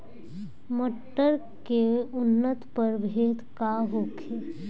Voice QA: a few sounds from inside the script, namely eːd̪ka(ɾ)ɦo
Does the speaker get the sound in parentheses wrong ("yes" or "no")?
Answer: yes